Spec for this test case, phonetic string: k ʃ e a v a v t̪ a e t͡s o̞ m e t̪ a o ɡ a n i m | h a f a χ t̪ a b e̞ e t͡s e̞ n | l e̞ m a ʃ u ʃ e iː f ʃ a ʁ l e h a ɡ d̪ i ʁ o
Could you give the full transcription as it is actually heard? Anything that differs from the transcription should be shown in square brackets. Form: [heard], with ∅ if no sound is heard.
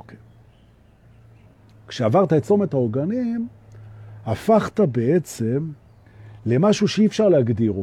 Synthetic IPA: k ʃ e a v a [ʁ] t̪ a e t͡s o̞ m e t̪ a o ɡ a n i m | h a f a χ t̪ a b e̞ e t͡s e̞ [m] | l e̞ m a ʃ u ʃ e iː f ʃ a ʁ l e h a ɡ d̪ i ʁ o